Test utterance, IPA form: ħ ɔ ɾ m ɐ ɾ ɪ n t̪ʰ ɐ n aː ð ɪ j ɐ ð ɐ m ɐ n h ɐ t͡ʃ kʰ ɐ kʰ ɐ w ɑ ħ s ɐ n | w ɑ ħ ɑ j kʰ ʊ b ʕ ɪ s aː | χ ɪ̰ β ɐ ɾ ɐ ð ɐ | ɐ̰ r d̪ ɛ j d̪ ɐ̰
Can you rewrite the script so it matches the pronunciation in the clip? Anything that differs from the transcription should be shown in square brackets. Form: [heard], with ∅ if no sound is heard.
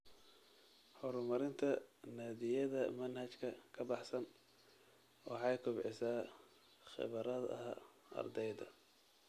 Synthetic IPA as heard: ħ ɔ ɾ m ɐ ɾ ɪ n t̪ʰ ɐ n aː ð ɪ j ɐ ð ɐ m ɐ n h ɐ t͡ʃ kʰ ɐ kʰ ɐ [b] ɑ ħ s ɐ n | w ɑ ħ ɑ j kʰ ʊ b ʕ ɪ s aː | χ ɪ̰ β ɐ ɾ ɐ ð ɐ | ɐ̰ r d̪ ɛ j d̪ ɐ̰